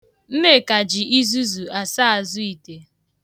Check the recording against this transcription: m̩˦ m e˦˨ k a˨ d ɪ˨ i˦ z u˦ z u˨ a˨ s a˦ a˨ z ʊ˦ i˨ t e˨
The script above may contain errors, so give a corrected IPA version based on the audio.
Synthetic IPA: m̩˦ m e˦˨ k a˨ d͡ʒ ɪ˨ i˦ z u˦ z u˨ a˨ s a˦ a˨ z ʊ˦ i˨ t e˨